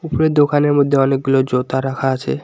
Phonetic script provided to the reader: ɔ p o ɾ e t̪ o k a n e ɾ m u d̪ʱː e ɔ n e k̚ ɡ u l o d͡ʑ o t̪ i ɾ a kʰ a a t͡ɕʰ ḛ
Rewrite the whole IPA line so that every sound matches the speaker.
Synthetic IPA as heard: u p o ɾ e d̪ o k a n e ɾ m o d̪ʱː e ɔ n e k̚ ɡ u l o d͡ʑ o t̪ a ɾ a kʰ a a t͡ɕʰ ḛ